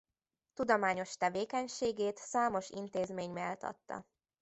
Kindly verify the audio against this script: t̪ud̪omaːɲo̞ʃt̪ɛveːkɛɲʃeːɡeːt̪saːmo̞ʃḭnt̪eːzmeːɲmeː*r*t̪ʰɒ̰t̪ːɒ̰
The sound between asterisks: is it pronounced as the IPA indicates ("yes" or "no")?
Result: no